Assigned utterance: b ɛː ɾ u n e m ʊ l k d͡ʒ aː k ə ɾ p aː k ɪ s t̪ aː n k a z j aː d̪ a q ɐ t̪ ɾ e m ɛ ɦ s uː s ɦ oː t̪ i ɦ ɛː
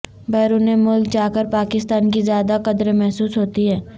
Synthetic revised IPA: b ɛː ɾ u n e m ʊ l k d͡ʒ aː k ə ɾ p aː k ɪ s t̪ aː n k i z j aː d̪ a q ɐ d̪ ɾ e m ɛ ɦ s uː s ɦ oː t̪ i ɦ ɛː